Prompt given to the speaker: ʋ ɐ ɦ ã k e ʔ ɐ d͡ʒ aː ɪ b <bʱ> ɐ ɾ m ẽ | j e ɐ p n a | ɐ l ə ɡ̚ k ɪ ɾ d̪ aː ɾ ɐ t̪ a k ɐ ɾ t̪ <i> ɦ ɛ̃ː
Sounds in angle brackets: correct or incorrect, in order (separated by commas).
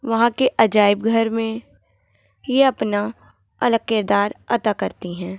incorrect, correct